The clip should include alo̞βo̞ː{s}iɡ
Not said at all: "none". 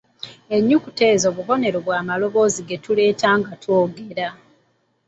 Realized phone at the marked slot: z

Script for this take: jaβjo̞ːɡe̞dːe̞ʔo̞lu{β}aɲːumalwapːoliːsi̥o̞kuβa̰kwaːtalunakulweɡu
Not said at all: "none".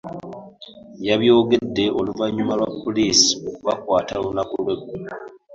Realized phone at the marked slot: v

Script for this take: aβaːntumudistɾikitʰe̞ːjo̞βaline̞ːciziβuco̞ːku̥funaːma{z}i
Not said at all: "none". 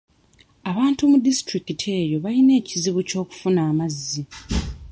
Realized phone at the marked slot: zː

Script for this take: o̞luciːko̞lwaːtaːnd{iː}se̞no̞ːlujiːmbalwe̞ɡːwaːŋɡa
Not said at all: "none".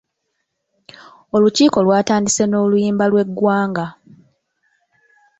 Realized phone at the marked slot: i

